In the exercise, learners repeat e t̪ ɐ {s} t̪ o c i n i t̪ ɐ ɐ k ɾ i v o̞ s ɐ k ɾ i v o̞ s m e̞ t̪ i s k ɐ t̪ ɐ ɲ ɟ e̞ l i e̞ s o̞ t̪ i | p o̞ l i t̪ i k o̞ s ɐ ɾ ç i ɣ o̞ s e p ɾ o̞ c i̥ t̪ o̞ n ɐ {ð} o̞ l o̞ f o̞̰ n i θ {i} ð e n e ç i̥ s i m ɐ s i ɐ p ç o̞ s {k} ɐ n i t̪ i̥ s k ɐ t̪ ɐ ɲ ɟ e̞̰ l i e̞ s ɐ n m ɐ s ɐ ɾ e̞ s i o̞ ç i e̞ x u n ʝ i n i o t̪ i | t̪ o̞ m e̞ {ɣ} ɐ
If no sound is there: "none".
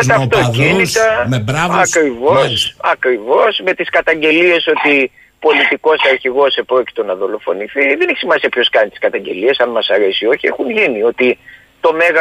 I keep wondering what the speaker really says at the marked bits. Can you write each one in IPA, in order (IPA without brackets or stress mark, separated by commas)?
f, ð, i, k, ɣ